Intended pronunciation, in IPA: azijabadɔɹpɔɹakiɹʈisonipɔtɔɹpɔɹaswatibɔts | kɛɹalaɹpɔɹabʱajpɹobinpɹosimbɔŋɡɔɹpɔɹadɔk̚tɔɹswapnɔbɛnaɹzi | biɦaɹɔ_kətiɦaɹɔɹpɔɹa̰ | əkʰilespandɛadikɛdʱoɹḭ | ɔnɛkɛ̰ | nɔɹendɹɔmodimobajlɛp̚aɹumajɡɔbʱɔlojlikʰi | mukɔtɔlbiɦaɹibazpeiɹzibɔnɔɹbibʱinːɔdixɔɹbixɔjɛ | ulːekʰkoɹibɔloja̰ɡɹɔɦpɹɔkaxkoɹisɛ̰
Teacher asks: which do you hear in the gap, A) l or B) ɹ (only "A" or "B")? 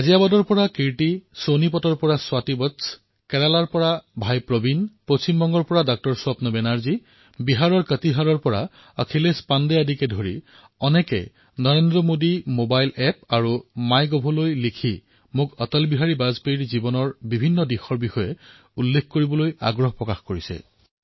B